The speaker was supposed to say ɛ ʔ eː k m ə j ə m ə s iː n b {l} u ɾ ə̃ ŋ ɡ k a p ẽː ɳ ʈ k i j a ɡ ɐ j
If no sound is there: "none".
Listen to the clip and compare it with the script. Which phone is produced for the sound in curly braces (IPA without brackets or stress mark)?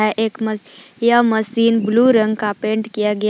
l